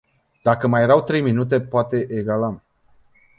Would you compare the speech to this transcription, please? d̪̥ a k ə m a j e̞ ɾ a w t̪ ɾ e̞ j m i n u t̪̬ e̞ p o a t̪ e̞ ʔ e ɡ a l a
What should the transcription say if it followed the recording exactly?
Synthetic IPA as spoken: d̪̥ a k ə m a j e̞ ɾ a w t̪ ɾ e̞ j m i n u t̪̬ e̞ p o a t̪ e̞ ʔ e ɡ a l a